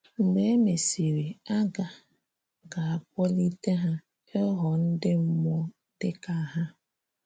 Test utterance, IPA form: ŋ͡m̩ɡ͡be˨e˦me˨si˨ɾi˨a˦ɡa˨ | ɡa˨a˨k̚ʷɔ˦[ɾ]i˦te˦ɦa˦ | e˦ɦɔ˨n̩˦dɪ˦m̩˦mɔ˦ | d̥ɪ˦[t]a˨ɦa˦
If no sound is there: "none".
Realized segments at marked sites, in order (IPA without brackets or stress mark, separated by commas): l, k